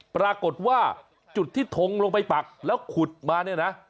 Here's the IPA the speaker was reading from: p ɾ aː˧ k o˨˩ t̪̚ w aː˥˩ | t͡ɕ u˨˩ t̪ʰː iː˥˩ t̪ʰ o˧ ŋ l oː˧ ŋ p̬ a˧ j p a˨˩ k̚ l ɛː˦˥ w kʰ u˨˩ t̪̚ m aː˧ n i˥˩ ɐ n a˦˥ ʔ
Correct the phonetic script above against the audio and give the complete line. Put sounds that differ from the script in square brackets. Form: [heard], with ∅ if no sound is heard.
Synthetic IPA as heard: p ɾ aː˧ k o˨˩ t̪̚ w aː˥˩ | t͡ɕ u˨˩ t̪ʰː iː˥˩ t̪ʰ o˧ ŋ l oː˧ ŋ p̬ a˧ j p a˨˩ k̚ l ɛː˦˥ w kʰ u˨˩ t̪̚ m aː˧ n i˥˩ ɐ n a˦˥ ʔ